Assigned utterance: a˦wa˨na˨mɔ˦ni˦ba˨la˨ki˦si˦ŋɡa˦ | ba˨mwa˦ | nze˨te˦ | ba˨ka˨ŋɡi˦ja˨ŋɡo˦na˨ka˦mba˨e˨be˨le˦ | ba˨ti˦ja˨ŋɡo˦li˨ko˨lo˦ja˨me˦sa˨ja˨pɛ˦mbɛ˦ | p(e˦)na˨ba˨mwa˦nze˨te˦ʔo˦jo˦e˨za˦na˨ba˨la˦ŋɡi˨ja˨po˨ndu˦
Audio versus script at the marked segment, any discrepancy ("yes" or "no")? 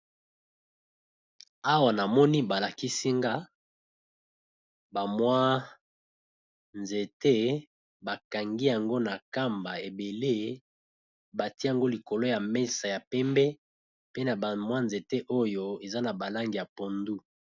no